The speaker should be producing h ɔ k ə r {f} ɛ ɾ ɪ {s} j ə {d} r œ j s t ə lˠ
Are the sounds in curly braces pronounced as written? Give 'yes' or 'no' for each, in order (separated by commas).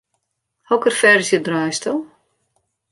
yes, yes, yes